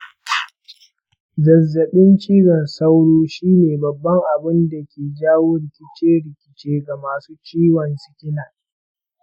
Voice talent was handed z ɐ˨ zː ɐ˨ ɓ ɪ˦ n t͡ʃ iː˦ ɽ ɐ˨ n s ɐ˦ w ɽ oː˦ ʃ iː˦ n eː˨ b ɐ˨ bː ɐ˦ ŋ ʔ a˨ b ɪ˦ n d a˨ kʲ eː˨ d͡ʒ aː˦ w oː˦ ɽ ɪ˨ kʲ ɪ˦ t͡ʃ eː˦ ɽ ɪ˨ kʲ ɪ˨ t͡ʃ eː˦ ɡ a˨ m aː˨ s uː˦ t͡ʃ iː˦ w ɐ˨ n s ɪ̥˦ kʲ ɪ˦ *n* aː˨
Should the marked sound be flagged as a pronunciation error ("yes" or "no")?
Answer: no